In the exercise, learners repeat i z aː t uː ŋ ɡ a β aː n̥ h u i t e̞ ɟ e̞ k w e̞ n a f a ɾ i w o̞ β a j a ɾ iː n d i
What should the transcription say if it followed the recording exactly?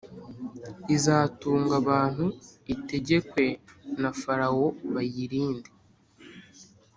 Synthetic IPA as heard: i z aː t uː ŋ ɡ a β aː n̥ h u i t e̞ ɟ e̞ k w e̞ n a f a ɾ a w o̞ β a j i ɾ iː n d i